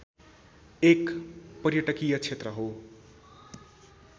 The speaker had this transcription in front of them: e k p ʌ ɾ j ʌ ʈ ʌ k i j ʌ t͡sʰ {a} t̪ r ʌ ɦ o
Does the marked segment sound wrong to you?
yes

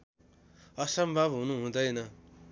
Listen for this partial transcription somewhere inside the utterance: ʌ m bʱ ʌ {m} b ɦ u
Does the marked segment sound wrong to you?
yes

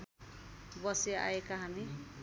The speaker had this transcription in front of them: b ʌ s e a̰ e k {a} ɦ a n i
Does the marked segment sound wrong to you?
no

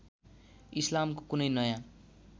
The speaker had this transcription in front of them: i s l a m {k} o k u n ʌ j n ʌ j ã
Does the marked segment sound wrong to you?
no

